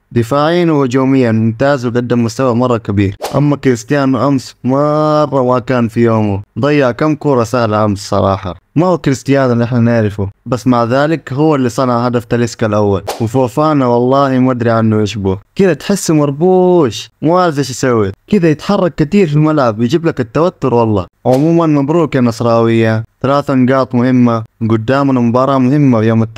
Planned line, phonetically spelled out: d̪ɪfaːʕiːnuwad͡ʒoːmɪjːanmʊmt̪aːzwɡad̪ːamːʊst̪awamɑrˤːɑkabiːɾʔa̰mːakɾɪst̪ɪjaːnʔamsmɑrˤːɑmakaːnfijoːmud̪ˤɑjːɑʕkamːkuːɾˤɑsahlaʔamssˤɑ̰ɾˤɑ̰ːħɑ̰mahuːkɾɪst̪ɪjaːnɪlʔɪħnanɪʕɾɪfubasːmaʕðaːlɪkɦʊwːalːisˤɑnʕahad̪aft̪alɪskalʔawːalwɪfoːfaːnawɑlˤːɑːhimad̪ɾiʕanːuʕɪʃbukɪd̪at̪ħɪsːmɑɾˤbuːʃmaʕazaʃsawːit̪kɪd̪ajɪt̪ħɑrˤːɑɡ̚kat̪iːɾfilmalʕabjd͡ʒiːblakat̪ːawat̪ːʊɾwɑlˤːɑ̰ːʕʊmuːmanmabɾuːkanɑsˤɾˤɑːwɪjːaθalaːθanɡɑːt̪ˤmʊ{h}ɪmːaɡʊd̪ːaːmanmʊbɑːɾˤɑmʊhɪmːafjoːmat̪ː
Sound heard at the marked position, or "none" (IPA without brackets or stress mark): h